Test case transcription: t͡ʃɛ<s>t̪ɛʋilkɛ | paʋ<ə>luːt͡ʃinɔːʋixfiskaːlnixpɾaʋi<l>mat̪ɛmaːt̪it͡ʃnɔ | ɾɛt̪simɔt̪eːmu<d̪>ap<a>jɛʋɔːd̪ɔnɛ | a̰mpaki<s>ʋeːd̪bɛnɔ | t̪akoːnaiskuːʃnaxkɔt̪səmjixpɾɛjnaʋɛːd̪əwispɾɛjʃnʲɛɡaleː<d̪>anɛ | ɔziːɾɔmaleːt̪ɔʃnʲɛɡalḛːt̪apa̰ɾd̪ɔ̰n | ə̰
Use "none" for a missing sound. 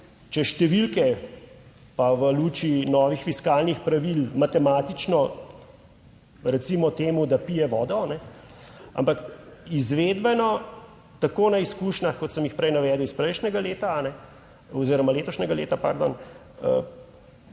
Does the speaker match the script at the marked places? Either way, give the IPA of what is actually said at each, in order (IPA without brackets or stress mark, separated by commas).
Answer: ʃ, ə, l, d̪, i, z, t̪